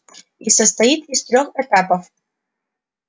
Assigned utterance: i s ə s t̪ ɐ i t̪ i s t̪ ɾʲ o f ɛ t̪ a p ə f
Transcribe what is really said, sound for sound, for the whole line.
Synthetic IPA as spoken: i s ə s t̪ ɐ i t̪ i s t̪ ɾʲ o x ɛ t̪ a p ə f